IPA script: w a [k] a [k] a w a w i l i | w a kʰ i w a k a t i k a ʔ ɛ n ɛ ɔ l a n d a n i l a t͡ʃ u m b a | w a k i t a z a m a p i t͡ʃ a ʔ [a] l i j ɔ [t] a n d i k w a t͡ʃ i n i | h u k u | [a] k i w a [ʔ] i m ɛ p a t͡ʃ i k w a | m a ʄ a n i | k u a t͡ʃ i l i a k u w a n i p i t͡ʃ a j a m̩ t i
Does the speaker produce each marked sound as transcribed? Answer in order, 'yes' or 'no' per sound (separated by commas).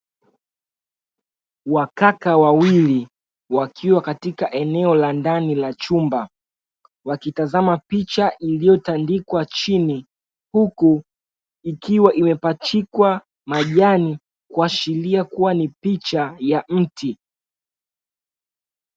yes, yes, no, yes, no, yes